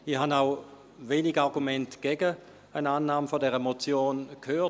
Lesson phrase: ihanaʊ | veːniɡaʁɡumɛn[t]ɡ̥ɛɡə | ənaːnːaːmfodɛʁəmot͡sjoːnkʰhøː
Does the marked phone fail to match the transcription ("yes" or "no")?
no